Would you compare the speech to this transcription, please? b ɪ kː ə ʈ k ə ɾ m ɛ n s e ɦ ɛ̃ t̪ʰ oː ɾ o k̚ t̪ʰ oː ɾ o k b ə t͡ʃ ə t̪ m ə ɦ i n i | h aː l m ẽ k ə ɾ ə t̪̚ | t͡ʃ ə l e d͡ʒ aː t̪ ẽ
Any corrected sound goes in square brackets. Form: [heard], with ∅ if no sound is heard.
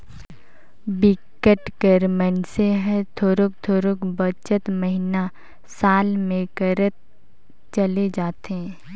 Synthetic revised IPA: b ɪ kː ə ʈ k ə ɾ m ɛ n s e ɦ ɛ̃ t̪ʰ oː ɾ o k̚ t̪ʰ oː ɾ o k b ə t͡ʃ ə t̪ m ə ɦ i n [a] | [s] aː l m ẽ k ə ɾ ə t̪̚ | t͡ʃ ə l e d͡ʒ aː t̪ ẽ